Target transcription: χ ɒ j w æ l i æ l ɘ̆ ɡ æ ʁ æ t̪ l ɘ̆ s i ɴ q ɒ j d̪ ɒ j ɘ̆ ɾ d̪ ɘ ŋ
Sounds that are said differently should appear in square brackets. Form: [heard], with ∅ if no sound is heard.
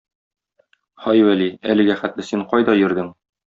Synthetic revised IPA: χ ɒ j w æ l i æ l ɘ̆ ɡ æ [χ] æ t̪ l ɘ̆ s i ɴ q ɒ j d̪ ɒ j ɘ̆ ɾ d̪ ɘ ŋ